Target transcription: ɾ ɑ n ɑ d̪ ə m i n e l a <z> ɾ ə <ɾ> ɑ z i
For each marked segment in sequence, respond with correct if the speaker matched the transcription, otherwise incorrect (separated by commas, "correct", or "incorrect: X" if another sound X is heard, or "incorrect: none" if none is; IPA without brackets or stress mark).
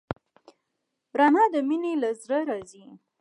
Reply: correct, correct